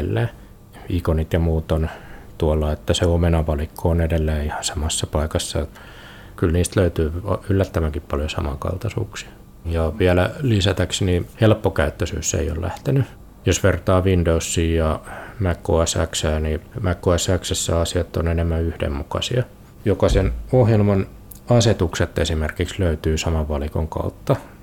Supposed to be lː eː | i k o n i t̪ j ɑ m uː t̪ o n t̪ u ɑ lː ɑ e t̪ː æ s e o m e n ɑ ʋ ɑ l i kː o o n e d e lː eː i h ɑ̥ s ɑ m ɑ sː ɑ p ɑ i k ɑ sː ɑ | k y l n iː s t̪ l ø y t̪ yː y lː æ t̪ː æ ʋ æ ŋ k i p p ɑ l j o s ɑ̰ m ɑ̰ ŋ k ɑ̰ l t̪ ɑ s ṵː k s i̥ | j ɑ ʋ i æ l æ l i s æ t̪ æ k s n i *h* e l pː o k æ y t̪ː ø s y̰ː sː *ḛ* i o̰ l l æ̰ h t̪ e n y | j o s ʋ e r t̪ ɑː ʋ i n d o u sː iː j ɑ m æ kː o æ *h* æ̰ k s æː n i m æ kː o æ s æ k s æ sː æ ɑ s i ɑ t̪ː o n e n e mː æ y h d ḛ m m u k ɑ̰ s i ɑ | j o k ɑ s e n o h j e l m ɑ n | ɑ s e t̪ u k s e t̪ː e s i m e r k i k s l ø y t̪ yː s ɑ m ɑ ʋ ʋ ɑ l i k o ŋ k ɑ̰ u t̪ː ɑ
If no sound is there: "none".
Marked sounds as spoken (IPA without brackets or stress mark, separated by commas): h, ḛ, s